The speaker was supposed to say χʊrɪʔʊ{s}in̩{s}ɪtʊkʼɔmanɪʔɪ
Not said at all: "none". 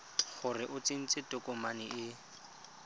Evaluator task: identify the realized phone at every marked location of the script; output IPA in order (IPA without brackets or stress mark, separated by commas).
t͡s, t͡s